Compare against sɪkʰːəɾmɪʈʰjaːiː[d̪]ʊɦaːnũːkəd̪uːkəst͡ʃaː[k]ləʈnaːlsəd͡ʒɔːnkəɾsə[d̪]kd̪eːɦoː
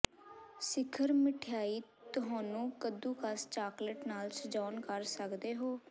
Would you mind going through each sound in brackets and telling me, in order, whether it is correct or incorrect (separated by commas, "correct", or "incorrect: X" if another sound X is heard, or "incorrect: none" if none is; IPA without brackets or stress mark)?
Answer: incorrect: t̪, correct, incorrect: none